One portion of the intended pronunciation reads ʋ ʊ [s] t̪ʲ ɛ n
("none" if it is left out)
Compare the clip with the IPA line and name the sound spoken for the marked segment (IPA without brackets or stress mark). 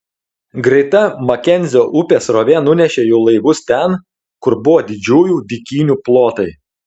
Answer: s